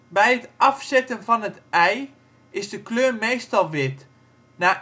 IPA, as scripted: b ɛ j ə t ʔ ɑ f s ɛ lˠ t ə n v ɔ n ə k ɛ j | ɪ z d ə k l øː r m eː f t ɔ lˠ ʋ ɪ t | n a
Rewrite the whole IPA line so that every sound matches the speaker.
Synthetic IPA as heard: b ɛ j ə t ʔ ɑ f s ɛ t ə n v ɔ n ə t ɛ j | ɪ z d ə k l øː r m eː s t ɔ lˠ ʋ ɪ t | n a